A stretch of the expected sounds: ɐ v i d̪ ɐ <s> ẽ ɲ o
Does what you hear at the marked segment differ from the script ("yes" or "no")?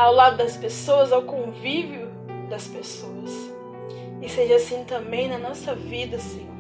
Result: no